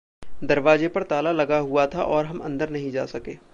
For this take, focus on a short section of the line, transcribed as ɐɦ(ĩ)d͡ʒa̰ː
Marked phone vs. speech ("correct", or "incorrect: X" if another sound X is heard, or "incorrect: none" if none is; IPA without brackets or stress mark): correct